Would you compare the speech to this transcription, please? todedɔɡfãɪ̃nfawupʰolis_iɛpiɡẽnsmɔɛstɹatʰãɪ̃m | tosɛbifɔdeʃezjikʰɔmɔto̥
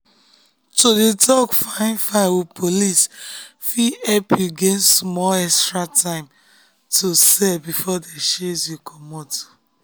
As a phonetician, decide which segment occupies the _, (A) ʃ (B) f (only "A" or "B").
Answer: B